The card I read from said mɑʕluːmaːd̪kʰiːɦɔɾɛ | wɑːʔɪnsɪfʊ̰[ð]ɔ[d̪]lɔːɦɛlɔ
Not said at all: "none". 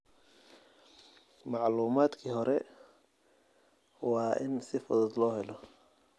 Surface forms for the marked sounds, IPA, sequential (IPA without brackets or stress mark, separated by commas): ð, d̪